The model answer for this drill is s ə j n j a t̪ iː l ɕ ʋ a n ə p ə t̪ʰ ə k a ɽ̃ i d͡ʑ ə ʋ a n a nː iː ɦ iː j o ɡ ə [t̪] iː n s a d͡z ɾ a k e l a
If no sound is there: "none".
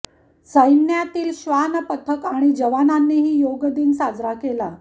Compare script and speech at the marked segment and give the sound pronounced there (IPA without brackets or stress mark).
d̪